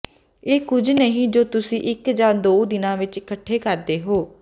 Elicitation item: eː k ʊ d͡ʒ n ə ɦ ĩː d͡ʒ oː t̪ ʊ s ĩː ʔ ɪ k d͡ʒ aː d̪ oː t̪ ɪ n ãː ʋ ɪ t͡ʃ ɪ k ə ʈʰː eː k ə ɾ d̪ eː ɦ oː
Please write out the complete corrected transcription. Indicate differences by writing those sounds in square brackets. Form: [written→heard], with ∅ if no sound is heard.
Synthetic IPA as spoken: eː k ʊ d͡ʒ n ə ɦ ĩː d͡ʒ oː t̪ ʊ s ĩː ʔ ɪ k d͡ʒ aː d̪ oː [t̪→d̪] ɪ n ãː ʋ ɪ t͡ʃ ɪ k ə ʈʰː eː k ə ɾ d̪ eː ɦ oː

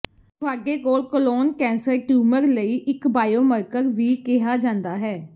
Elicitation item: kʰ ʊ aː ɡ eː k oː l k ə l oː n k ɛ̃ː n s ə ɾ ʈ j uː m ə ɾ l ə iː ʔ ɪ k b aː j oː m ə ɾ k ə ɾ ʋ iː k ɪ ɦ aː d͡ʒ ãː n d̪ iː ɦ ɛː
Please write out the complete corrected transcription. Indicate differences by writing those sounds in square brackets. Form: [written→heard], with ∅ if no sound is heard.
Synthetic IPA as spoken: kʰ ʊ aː ɡ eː k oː l k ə l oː n k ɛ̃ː n s ə ɾ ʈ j uː m ə ɾ l ə iː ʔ ɪ k b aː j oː m ə ɾ k ə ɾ ʋ iː k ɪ ɦ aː d͡ʒ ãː n d̪ [iː→aː] ɦ ɛː

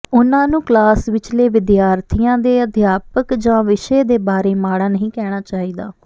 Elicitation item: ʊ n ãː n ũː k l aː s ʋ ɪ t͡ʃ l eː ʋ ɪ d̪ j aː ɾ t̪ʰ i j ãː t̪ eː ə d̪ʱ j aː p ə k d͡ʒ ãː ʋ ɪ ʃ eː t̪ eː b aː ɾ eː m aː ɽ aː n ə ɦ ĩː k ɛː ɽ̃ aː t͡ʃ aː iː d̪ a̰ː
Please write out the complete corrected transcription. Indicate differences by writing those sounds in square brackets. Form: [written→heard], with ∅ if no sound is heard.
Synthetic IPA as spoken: ʊ n ãː n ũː k l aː s ʋ ɪ t͡ʃ l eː ʋ ɪ d̪ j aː ɾ t̪ʰ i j ãː [t̪→d̪] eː ə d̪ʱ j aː p ə k d͡ʒ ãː ʋ ɪ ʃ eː [t̪→d̪] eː b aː ɾ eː m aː ɽ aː n ə ɦ ĩː k ɛː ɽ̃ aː t͡ʃ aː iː d̪ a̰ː

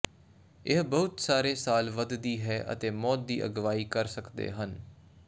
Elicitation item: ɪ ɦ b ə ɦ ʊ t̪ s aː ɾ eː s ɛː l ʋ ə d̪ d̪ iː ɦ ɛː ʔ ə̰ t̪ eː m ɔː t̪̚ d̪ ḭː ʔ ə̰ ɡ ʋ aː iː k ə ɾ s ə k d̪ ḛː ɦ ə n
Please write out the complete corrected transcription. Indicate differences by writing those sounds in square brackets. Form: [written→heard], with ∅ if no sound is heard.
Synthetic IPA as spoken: ɪ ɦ b ə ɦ ʊ t̪ s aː ɾ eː s [ɛː→aː] l ʋ ə d̪ d̪ iː ɦ ɛː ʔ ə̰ t̪ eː m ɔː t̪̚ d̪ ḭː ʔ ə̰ ɡ ʋ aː iː k ə ɾ s ə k d̪ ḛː ɦ ə n

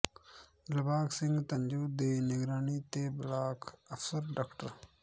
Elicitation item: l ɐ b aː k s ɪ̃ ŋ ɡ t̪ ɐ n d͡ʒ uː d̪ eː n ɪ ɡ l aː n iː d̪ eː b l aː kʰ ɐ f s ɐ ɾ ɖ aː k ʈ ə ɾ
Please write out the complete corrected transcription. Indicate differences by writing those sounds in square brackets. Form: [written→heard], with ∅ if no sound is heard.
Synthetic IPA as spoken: l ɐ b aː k s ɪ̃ ŋ ɡ t̪ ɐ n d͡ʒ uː d̪ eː n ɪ ɡ [l→ɾ] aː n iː [d̪→t̪] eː b l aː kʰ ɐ f s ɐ ɾ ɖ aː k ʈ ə ɾ

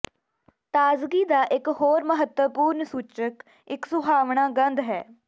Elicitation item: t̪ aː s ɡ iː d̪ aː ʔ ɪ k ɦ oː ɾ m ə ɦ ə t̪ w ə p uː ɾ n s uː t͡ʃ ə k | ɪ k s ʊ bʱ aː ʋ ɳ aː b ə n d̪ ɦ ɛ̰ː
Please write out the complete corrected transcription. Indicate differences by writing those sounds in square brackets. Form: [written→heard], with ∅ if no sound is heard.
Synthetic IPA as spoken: t̪ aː [s→z] ɡ iː d̪ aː ʔ ɪ k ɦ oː ɾ m ə ɦ ə t̪ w ə p uː ɾ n s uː t͡ʃ ə k | ɪ k s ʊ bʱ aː ʋ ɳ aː [b→ɡ] ə n d̪ ɦ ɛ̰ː

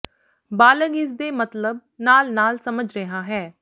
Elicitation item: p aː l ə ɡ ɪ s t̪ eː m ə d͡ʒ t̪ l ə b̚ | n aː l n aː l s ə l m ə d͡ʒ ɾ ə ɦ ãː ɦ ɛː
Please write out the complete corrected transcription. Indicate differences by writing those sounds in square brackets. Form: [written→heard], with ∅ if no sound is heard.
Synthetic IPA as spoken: [p→b] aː l ə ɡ ɪ s [t̪→d̪] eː m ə [d͡ʒ→∅] t̪ l ə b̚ | n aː l n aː l s ə [l→∅] m ə d͡ʒ ɾ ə ɦ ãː ɦ ɛː

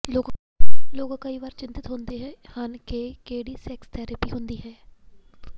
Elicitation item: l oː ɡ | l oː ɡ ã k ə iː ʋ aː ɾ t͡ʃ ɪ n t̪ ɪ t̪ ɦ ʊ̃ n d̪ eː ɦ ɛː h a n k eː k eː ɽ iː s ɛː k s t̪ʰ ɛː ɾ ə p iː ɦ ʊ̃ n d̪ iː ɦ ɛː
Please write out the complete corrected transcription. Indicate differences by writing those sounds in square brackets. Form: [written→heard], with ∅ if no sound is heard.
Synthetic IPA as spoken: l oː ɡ | l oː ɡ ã k ə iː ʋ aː ɾ t͡ʃ ɪ n t̪ ɪ t̪ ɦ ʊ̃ n d̪ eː ɦ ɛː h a n k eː k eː ɽ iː s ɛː k s t̪ʰ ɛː ɾ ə p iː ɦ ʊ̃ n d̪ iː ɦ ɛː

